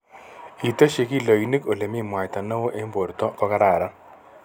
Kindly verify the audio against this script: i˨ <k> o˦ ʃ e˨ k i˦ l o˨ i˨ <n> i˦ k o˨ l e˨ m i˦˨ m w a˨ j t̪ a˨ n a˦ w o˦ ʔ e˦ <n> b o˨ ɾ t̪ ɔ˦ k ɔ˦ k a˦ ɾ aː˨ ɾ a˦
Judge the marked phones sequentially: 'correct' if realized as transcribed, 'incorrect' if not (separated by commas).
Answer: incorrect, correct, incorrect